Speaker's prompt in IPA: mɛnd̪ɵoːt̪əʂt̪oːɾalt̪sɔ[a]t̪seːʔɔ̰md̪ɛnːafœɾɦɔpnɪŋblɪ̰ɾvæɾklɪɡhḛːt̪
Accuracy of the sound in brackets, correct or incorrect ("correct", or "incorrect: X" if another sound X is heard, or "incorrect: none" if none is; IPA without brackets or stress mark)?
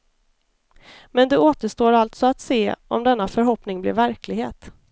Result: correct